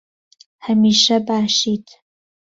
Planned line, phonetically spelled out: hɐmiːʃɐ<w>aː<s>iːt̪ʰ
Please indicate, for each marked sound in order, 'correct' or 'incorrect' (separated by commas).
incorrect, incorrect